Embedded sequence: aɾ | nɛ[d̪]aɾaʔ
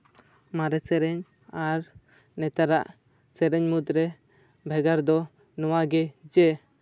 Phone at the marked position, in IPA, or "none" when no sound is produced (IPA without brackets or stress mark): t̪